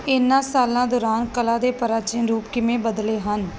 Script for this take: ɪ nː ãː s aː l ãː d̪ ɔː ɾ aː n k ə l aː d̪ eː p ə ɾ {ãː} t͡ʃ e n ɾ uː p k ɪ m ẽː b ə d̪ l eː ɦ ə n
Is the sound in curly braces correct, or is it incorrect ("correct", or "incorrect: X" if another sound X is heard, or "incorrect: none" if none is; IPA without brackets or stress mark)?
incorrect: aː